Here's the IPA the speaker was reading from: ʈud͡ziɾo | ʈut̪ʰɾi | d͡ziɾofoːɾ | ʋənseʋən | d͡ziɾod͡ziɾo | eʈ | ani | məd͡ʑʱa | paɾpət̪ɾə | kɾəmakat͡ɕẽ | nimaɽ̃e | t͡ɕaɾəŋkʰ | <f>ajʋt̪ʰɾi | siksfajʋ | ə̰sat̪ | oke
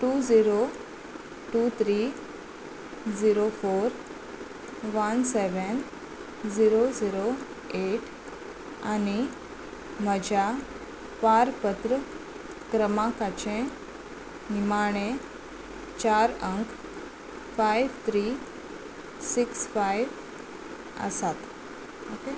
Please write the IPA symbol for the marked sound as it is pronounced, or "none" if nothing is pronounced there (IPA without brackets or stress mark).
f